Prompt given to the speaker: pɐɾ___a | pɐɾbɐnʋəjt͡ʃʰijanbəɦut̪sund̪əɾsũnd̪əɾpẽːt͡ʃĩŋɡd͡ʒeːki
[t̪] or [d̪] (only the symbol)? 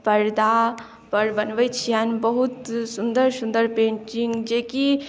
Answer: d̪